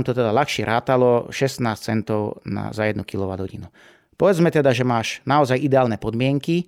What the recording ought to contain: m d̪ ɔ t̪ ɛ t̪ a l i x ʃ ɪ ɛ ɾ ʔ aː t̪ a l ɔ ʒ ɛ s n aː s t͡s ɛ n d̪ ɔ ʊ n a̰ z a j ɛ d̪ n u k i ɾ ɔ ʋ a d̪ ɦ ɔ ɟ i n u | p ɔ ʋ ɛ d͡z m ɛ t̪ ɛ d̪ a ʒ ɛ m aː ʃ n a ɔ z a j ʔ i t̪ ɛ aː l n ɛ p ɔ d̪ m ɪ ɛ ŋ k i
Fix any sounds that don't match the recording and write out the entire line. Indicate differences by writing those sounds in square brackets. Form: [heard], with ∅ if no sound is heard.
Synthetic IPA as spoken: m [t̪] ɔ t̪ ɛ [d̪] a l [a] x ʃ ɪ ɛ ɾ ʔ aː t̪ a l ɔ [ʃ] ɛ s n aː s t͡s ɛ n [t̪] ɔ ʊ n a̰ z a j ɛ d̪ n u k i [l] ɔ ʋ a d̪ ɦ ɔ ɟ i n u | p ɔ ʋ ɛ d͡z m ɛ t̪ ɛ d̪ a ʒ ɛ m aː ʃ n a ɔ z a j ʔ i [d̪] ɛ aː l n ɛ p ɔ d̪ m ɪ ɛ ŋ k i